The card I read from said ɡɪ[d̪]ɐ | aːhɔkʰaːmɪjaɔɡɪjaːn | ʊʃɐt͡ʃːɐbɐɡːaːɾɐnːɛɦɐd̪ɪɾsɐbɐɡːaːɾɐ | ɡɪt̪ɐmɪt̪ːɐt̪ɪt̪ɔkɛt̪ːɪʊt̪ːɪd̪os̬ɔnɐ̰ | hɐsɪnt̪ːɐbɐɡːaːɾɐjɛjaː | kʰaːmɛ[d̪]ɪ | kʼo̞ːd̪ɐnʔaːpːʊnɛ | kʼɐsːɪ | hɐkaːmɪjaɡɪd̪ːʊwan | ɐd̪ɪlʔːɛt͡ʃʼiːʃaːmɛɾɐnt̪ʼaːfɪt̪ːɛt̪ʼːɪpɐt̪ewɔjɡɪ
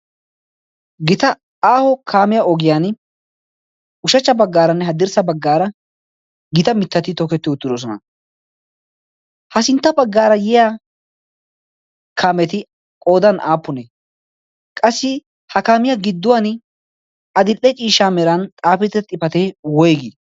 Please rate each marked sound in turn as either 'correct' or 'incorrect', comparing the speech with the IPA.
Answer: incorrect: t̪, incorrect: t̪

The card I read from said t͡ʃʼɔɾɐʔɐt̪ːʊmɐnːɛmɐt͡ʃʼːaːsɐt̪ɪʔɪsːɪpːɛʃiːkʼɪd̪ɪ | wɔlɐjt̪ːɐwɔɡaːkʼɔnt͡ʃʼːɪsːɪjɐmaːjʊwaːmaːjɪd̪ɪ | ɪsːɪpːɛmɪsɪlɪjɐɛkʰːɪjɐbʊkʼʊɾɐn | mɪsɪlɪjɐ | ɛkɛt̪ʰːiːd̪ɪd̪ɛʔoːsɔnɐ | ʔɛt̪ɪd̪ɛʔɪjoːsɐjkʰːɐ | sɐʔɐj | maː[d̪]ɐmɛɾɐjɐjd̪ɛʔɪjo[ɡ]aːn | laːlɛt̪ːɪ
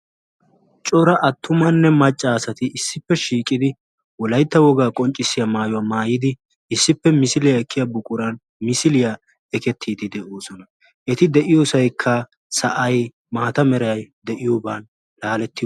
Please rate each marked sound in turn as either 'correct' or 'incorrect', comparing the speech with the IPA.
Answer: incorrect: t̪, incorrect: b

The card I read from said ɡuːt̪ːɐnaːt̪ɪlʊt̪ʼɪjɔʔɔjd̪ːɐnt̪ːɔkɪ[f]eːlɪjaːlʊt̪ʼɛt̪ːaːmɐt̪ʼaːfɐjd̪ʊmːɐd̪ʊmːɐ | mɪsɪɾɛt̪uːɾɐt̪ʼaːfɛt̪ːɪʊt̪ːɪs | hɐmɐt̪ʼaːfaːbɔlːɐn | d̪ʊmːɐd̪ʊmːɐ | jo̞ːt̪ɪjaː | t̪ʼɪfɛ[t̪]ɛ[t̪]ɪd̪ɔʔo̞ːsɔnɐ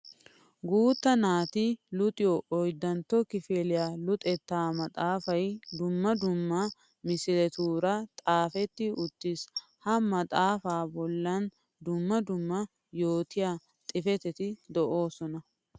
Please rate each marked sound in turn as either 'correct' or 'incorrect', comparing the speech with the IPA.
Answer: correct, correct, correct

